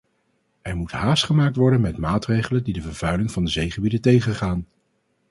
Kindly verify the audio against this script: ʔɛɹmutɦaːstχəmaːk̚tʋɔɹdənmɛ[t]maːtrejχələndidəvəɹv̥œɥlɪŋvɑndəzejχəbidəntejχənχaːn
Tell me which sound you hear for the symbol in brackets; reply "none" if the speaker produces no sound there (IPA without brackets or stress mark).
t